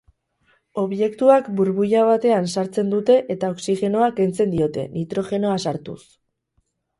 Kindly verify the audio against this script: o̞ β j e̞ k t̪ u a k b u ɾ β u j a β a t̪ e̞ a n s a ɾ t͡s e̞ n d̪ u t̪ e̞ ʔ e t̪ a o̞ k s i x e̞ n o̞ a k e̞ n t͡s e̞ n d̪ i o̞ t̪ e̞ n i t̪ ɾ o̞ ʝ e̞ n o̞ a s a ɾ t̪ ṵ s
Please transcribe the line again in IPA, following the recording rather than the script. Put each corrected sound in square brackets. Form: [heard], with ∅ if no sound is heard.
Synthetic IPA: o̞ β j e̞ k t̪ u a k b u ɾ β u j a β a t̪ e̞ a n s a ɾ t͡s e̞ n d̪ u t̪ e̞ ʔ e t̪ a o̞ k s i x e̞ n o̞ a k e̞ n t͡s e̞ n d̪ i o̞ t̪ e̞ n i t̪ ɾ o̞ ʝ e̞ n o̞ a s a ɾ t̪ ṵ s